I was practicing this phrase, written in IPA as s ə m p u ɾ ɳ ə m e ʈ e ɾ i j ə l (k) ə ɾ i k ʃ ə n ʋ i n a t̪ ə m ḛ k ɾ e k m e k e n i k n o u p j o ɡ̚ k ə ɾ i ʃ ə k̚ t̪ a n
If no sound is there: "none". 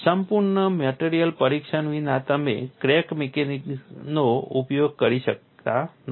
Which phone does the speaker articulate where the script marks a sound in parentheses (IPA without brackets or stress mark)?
p